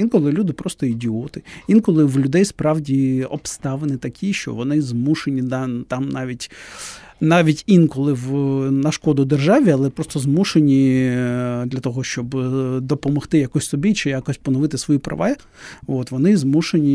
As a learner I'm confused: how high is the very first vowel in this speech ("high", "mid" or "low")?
high